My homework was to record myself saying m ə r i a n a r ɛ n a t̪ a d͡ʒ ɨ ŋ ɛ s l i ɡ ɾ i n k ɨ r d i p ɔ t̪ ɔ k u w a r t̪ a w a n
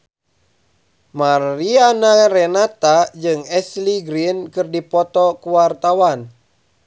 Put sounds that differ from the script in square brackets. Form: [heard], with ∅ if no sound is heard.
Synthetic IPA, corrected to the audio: m [a] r i a n a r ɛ n a t̪ a d͡ʒ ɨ ŋ ɛ s l i ɡ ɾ i n k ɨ r d i p ɔ t̪ ɔ k u w a r t̪ a w a n